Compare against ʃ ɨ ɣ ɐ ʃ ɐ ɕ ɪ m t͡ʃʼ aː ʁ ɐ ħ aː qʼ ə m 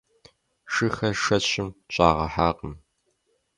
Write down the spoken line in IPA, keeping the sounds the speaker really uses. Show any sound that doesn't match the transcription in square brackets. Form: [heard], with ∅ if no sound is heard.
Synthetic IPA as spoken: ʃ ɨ [x] ɐ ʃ ɐ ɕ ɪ m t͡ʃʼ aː ʁ ɐ ħ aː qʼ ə m